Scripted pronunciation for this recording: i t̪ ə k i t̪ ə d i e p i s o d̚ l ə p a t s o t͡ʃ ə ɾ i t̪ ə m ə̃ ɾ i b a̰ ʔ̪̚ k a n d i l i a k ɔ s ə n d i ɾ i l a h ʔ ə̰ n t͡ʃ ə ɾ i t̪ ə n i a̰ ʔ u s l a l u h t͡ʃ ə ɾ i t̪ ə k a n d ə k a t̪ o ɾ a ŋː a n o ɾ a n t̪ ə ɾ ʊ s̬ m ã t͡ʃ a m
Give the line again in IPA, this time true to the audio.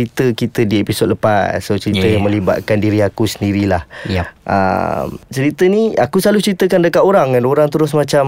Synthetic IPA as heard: i t̪ ə k i t̪ ə d i e p i s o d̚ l ə p a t s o t͡ʃ ə ɾ i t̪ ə m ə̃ l i b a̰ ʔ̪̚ k a n d i ɾ i a k u s ə n d i ɾ i l a h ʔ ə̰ m t͡ʃ ə ɾ i t̪ ə n i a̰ k u s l a l u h t͡ʃ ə ɾ i t̪ ə k a n d ə k a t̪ o ɾ a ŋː a n o ɾ a ŋ t̪ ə ɾ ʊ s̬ m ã t͡ʃ a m